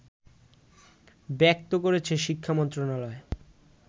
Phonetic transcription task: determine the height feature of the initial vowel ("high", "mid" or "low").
mid